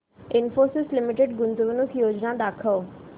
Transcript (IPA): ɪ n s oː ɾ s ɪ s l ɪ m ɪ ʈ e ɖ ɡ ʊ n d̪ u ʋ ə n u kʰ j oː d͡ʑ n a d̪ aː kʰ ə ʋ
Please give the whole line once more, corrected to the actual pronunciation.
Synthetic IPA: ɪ n f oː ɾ s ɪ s l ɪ m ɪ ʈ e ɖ ɡ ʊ n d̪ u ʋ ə n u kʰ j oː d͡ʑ n a d̪ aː kʰ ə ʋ